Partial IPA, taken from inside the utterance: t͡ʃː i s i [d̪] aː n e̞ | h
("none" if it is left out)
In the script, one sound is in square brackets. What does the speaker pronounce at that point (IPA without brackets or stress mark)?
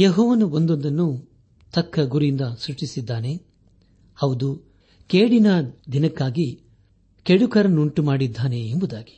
d̪ː